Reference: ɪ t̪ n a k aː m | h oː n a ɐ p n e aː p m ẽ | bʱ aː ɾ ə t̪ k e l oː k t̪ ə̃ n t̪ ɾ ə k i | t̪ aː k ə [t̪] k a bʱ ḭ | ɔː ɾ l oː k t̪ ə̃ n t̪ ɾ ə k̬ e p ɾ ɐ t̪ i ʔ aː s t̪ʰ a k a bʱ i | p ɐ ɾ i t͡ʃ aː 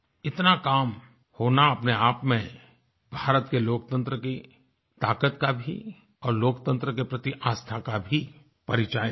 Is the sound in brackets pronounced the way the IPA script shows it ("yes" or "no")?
yes